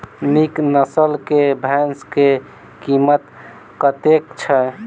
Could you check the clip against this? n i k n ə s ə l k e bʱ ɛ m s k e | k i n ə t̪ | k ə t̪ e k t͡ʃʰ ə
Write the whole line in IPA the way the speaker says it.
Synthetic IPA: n i k n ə s ə l k e bʱ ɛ n s k e | k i m ə t̪ | k ə t̪ e k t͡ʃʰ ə

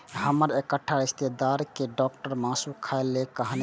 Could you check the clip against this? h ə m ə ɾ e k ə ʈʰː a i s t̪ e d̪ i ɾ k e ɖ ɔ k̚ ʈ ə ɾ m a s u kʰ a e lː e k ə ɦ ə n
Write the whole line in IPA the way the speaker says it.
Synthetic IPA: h ə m ə ɾ e k ə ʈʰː a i s t̪ e d̪ a ɾ k e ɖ ɔ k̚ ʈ ə ɾ m a s u kʰ a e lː e k ə ɦ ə n

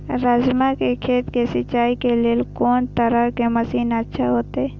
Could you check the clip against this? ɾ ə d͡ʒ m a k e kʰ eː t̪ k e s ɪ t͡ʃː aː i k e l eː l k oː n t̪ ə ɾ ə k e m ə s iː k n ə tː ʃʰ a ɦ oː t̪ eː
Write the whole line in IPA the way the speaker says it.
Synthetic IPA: ɾ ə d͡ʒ m a k e kʰ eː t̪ k e s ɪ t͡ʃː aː i k e l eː l k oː n t̪ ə ɾ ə k e m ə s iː n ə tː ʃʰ a ɦ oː t̪ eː

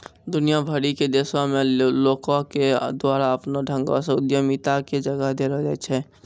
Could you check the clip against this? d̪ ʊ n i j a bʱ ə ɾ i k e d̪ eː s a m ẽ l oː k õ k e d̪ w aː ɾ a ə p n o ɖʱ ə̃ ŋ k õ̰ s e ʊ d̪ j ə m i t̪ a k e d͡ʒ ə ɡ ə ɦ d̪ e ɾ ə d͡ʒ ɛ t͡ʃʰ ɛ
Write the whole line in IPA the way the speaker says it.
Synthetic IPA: d̪ ʊ n i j a bʱ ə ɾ i k e d̪ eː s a m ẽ l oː k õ k e d̪ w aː ɾ a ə p n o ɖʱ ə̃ ŋ ɡ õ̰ s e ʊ d̪ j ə m i t̪ a k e d͡ʒ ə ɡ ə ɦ d̪ e ɾ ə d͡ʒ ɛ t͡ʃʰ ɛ

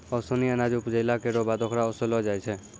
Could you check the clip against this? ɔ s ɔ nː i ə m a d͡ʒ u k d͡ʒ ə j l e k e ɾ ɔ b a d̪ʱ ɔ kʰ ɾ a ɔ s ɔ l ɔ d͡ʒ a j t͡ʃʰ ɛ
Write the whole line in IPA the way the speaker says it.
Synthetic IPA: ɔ s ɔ n i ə n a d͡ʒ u p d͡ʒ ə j l a k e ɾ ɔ b a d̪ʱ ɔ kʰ ɾ a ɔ s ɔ l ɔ d͡ʒ a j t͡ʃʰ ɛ

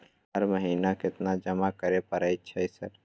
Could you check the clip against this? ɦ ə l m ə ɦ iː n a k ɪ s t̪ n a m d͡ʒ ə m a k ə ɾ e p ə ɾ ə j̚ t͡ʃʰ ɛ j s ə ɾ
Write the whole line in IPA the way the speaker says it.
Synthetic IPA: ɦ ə ɾ m ə ɦ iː n a k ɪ t̪ n a d͡ʒ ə m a k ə ɾ e p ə ɾ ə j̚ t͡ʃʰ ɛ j s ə ɾ

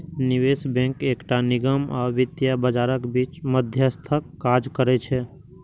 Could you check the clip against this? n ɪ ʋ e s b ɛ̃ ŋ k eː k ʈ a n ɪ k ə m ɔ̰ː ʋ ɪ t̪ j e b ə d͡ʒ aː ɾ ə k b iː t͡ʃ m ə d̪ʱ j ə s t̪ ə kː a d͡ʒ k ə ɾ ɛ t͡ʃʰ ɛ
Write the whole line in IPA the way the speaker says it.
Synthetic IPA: n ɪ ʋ e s b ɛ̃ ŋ k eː k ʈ a n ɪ ɡ ə m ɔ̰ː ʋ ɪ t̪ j a b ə d͡ʒ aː ɾ ə k b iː t͡ʃ m ə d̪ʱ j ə s t̪ʰ ə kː a d͡ʒ k ə ɾ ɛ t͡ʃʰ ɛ

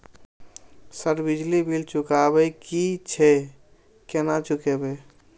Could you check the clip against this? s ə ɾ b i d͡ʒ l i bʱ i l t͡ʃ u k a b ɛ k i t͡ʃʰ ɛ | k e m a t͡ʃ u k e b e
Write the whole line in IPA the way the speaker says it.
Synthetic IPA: s ə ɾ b i d͡ʒ l i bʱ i l t͡ʃ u k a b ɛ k i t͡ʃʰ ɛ | k e n a t͡ʃ u k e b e

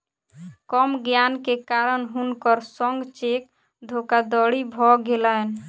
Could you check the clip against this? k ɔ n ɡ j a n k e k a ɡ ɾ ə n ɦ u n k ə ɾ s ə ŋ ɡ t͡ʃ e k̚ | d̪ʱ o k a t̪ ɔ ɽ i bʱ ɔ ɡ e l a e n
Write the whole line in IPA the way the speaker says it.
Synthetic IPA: k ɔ m ɡ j a n k e k a ɾ ə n ɦ u n k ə ɾ s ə ŋ ɡ t͡ʃ e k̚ | d̪ʱ o k a d̪ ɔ ɽ i bʱ ɔ ɡ e l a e n

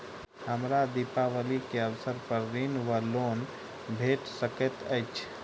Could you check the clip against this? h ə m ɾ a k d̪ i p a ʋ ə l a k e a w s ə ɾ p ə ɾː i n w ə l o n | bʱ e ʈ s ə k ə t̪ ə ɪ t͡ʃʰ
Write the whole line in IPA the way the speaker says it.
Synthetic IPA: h ə m ɾ a d̪ i p a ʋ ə l i k e ə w s ə ɾ p ə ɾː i n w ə l o n | bʱ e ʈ s ə k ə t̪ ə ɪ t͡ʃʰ

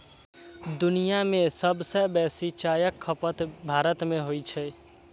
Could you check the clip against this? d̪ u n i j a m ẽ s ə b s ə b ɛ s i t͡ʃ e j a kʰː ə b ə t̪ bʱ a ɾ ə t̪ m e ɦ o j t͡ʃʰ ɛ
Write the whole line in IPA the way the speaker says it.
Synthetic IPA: d̪ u n i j a m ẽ s ə b s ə b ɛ s i t͡ʃ a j ə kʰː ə p ə t̪ bʱ a ɾ ə t̪ m e ɦ o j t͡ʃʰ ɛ

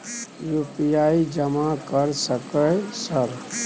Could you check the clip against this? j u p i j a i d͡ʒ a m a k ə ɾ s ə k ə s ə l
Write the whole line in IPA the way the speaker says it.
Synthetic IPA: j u p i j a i d͡ʒ ə m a k ə ɾ s ə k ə s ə ɾ

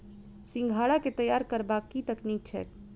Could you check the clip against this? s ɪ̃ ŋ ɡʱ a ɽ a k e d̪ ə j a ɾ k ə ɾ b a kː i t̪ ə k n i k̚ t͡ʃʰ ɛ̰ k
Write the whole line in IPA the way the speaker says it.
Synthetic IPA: s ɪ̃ ŋ ɡʱ a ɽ a k e t̪ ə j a ɾ k ə ɾ b a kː i t̪ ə k n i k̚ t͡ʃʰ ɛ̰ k

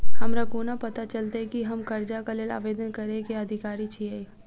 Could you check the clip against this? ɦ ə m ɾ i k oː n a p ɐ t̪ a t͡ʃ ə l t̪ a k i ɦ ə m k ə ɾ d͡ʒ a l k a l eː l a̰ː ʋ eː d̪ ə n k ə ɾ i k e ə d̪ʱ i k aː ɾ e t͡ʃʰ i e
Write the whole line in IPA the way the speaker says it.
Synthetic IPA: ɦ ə m ɾ a k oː n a p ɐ t̪ a t͡ʃ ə l t̪ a k i ɦ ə m k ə ɾ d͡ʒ a k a l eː l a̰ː ʋ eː d̪ ə n k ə ɾ e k e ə d̪ʱ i k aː ɾ i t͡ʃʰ i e

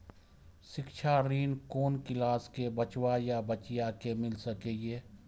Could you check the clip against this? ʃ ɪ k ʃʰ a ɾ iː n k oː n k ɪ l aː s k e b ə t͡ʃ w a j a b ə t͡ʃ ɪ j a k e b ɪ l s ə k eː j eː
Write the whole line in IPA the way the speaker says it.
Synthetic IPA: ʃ ɪ k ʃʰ a ɾ iː n k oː n k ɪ l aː s k e b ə t͡ʃ w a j a b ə t͡ʃ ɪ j a k e m ɪ l s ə k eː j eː

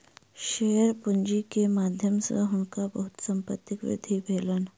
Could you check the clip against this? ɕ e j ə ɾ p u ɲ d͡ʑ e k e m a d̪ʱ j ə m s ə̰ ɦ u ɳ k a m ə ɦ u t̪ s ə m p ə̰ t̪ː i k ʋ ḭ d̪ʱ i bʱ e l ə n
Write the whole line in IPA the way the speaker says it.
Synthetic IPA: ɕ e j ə ɾ p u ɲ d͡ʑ i k e m a d̪ʱ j ə m s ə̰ ɦ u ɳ k a b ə ɦ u t̪ s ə m p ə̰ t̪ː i k ʋ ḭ d̪ʱ i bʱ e l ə n

